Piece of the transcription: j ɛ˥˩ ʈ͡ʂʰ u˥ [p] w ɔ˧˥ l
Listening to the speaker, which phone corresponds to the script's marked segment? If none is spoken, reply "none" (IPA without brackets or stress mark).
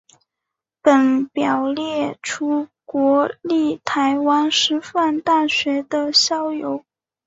k